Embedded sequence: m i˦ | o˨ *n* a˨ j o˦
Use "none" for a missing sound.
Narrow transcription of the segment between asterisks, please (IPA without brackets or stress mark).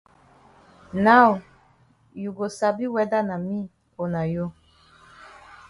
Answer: n